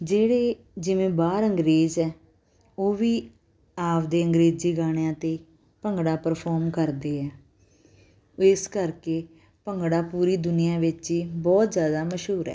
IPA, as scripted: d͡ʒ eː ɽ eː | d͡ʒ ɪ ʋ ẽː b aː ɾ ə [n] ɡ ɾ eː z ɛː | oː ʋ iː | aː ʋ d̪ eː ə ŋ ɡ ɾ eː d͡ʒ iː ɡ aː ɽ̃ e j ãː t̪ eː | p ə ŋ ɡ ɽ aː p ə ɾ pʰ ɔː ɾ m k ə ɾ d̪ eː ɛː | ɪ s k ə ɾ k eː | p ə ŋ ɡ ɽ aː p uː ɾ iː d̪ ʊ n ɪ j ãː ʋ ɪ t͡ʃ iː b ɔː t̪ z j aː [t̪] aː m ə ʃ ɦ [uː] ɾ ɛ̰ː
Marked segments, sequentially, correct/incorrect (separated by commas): incorrect, incorrect, correct